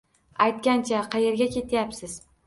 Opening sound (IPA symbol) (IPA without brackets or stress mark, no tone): a